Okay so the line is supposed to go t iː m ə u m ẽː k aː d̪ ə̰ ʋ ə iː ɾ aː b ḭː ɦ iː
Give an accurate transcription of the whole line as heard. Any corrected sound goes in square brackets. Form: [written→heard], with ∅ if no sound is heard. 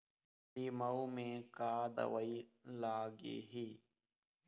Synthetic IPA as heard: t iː m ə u m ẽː k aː d̪ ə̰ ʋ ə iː [ɾ→l] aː [b→ɡ] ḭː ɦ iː